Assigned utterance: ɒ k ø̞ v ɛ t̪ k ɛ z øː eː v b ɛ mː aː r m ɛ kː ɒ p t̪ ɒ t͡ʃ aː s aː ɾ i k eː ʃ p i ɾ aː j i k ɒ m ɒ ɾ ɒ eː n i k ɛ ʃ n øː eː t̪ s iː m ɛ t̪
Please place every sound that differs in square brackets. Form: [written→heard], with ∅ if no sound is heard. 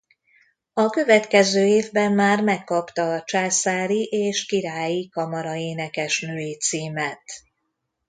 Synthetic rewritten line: ɒ k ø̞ v ɛ t̪ k ɛ z øː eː v b ɛ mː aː r m ɛ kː ɒ p t̪ ɒ t͡ʃ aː s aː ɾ i [k→ʔ] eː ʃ [p→k] i ɾ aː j i k ɒ m ɒ ɾ ɒ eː n [i→ɛ] k ɛ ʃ n øː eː t̪ s iː m ɛ t̪